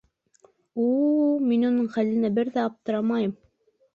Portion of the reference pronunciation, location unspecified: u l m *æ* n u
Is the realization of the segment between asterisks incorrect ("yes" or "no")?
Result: yes